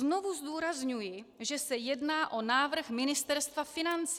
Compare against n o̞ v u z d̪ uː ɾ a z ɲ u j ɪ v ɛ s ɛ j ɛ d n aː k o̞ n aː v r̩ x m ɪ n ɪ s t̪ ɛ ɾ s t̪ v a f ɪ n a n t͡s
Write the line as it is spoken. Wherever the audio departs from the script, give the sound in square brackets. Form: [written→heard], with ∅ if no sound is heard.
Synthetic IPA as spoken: n o̞ v u z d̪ uː ɾ a z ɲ u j ɪ [v→ʒ] ɛ s ɛ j ɛ d n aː [k→ʔ] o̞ n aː v r̩ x m ɪ n ɪ s t̪ ɛ ɾ s t̪ v a f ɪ n a n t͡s

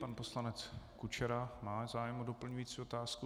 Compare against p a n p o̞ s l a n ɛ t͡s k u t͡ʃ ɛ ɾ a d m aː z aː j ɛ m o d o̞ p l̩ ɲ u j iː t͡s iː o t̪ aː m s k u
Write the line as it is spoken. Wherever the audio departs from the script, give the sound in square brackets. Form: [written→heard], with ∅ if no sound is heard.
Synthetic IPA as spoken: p a n p o̞ s l a n ɛ t͡s k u t͡ʃ ɛ ɾ a [d→∅] m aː z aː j ɛ m o d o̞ p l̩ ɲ u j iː t͡s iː o t̪ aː [m→∅] s k u

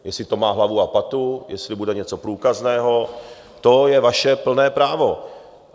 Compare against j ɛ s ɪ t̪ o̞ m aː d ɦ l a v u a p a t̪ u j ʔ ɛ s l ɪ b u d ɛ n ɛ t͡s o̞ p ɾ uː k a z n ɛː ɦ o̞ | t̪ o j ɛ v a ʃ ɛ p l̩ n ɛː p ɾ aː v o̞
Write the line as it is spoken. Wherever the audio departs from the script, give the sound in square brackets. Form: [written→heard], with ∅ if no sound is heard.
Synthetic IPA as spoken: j ɛ s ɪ t̪ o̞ m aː [d→∅] ɦ l a v u a p a t̪ u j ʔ ɛ s l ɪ b u d ɛ [n→ɲ] ɛ t͡s o̞ p ɾ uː k a z n ɛː ɦ o̞ | t̪ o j ɛ v a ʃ ɛ p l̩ n ɛː p ɾ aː v o̞

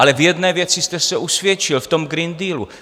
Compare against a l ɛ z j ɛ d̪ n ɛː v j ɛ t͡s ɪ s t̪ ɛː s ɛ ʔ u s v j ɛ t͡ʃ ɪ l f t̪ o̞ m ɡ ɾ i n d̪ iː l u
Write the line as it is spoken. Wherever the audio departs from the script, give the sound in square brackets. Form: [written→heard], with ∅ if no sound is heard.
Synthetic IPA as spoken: a l ɛ [z→v] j ɛ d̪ n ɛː v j ɛ t͡s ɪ s t̪ [ɛː→ɛ] s ɛ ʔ u s v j ɛ t͡ʃ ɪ l f t̪ o̞ m ɡ ɾ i n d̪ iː l u

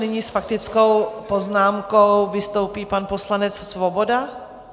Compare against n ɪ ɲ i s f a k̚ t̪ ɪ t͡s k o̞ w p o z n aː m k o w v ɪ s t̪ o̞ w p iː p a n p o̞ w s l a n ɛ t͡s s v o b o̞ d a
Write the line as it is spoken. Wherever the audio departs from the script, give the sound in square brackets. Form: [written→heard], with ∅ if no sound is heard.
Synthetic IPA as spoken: n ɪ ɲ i s f a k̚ t̪ ɪ t͡s k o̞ w p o z n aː m k o w v ɪ s t̪ o̞ w p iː p a n p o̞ [w→∅] s l a n ɛ t͡s s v o b o̞ d a

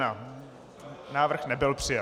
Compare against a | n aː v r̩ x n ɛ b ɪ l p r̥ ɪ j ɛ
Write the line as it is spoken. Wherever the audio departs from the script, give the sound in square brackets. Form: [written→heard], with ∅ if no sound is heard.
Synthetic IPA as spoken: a | n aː v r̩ x n ɛ b ɪ l p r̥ ɪ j [ɛ→a]

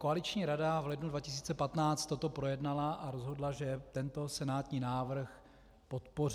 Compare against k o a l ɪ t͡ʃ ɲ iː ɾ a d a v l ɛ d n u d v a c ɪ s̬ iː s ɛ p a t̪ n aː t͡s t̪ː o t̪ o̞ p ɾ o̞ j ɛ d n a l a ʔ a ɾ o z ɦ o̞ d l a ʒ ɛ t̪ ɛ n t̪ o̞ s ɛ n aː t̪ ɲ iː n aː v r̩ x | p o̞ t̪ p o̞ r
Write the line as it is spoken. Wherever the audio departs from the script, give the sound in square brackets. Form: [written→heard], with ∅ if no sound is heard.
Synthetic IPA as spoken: k o a l ɪ t͡ʃ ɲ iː ɾ a d a v l ɛ d n u d v a c ɪ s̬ iː [s→t͡s] ɛ p a t̪ n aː t͡s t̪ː o t̪ o̞ p ɾ o̞ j ɛ d n a l a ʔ a ɾ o z ɦ o̞ d l a ʒ ɛ t̪ ɛ n t̪ o̞ s ɛ n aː t̪ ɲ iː n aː v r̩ x | p o̞ t̪ p o̞ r

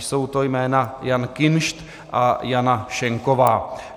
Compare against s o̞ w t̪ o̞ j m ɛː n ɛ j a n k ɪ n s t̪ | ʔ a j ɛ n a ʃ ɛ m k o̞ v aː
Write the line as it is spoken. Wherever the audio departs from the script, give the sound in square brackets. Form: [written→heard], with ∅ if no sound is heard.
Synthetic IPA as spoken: s o̞ w t̪ o̞ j m ɛː n [ɛ→a] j a n k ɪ n [s→ʃ] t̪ | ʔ a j [ɛ→a] n a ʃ ɛ [m→ŋ] k o̞ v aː

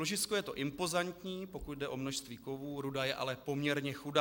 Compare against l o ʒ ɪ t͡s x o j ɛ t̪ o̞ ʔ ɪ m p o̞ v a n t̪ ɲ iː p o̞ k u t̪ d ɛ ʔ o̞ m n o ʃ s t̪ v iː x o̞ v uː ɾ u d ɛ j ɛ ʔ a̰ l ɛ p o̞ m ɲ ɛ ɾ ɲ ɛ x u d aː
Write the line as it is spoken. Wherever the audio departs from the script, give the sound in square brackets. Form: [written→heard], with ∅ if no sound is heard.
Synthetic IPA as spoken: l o ʒ ɪ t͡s [x→k] o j ɛ t̪ o̞ ʔ ɪ m p o̞ [v→z] a n t̪ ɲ iː p o̞ k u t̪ d ɛ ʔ o̞ m n o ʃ s t̪ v iː [x→k] o̞ v uː ɾ u d [ɛ→a] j ɛ ʔ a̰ l ɛ p o̞ m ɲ ɛ ɾ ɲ ɛ x u d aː

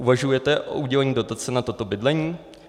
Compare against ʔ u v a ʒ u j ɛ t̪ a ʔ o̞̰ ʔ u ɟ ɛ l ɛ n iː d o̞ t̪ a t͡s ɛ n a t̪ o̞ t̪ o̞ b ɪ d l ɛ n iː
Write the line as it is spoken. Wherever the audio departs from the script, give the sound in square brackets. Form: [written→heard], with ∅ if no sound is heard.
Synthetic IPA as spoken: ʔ u v a ʒ u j ɛ t̪ [a→ɛ] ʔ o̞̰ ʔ u ɟ ɛ l ɛ [n→ɲ] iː d o̞ t̪ a t͡s ɛ n a t̪ o̞ t̪ o̞ b ɪ d l ɛ [n→ɲ] iː

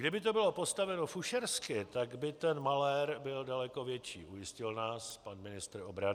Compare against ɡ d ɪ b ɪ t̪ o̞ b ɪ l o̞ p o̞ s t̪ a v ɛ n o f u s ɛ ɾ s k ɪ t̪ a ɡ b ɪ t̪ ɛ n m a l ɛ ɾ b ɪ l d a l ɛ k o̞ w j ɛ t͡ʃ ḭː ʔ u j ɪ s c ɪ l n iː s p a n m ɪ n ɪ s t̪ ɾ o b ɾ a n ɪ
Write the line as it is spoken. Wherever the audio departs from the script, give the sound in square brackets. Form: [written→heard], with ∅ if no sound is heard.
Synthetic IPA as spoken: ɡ d ɪ b ɪ t̪ o̞ b ɪ l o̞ p o̞ s t̪ a v ɛ n o f u [s→ʃ] ɛ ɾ s k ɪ t̪ a ɡ b ɪ t̪ ɛ n m a l ɛ ɾ b ɪ l d a l ɛ k o̞ [w→v] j ɛ t͡ʃ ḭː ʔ u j ɪ s c ɪ l n [iː→aː] s p a n m ɪ n ɪ s t̪ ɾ o b ɾ a n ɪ

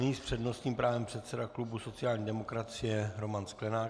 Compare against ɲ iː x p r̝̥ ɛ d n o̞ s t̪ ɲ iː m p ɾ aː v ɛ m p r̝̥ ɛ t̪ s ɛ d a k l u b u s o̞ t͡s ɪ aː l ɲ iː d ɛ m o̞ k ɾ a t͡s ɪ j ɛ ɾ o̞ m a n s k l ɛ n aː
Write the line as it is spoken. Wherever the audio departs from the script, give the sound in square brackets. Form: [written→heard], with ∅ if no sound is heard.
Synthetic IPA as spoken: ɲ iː [x→s] p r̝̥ ɛ d n o̞ s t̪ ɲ iː m p ɾ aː v ɛ m p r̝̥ ɛ t̪ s ɛ d a k l u b u s o̞ t͡s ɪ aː l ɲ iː d ɛ m o̞ k ɾ a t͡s ɪ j ɛ ɾ o̞ m a n s k l ɛ n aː

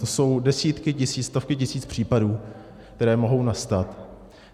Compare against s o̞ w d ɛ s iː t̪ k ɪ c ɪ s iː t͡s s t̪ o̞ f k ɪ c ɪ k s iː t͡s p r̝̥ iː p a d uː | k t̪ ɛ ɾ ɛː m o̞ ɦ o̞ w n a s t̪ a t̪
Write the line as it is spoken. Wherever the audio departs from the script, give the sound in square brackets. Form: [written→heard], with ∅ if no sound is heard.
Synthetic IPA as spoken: s o̞ w d ɛ s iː t̪ k ɪ c ɪ s iː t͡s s t̪ o̞ f k ɪ c ɪ [k→∅] s iː t͡s p r̝̥ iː p a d uː | k t̪ ɛ ɾ ɛː m o̞ ɦ o̞ w n a s t̪ a t̪

